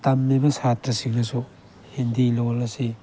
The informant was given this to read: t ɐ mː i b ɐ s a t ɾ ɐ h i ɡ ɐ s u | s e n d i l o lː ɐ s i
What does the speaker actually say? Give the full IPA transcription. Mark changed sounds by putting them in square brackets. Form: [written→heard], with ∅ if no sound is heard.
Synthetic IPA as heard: t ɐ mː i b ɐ s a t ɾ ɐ [h→s] i ɡ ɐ s u | [s→h] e n d i l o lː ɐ s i